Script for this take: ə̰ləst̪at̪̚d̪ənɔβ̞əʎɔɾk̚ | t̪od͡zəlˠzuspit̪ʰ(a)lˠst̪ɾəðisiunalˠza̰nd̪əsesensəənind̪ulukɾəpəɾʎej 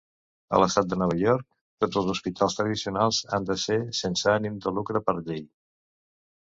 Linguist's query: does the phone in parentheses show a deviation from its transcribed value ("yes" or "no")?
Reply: no